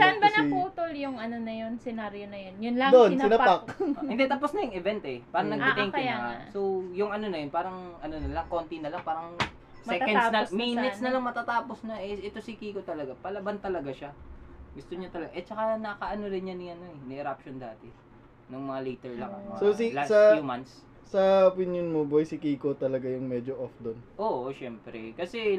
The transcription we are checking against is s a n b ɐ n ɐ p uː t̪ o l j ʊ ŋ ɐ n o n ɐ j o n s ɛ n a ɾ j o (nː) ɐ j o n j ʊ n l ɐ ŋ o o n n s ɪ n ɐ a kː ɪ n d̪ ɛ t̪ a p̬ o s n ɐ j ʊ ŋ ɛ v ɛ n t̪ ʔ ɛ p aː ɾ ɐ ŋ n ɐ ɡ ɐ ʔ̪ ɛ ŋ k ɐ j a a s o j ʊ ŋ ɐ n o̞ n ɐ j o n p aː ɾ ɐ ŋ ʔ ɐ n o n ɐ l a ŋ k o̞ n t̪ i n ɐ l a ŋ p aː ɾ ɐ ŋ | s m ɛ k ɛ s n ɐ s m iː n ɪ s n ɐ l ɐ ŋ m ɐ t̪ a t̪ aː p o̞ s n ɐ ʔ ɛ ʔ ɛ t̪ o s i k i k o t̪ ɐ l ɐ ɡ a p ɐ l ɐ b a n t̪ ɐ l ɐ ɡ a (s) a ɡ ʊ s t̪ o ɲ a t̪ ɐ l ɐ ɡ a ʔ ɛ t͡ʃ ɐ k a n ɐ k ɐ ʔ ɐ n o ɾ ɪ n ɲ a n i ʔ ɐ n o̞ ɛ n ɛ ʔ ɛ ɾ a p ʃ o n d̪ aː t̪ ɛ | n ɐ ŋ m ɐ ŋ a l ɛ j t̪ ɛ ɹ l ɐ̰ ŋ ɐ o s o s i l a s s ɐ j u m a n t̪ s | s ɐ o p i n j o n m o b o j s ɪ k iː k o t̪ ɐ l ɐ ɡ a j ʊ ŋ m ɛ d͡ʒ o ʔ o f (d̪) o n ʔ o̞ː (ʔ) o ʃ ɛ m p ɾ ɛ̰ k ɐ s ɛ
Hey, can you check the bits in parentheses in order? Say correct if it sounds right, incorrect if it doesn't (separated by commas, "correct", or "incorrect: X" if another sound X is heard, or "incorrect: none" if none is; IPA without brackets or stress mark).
incorrect: n, incorrect: ʃ, correct, correct